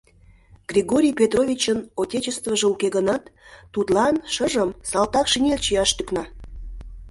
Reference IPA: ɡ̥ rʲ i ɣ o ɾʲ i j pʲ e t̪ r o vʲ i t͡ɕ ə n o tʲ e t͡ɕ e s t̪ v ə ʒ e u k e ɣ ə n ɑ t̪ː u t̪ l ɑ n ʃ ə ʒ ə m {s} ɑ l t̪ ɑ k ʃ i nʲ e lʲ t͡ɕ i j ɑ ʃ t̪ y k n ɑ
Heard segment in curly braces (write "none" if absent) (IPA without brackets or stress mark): s